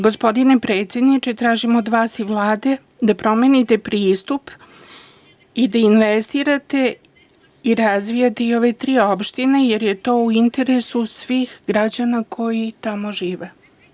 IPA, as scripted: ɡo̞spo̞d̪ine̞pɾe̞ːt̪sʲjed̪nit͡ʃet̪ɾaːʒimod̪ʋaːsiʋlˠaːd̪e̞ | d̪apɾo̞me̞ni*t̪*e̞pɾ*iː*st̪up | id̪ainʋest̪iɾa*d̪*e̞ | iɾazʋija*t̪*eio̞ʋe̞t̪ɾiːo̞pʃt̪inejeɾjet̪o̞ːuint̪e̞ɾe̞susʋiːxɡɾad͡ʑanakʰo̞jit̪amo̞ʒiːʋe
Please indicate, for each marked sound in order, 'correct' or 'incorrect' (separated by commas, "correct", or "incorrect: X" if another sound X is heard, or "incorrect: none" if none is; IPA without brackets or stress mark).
correct, correct, incorrect: t̪, correct